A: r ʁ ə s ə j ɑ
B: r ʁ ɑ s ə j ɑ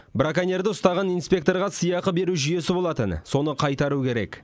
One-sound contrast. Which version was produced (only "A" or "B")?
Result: B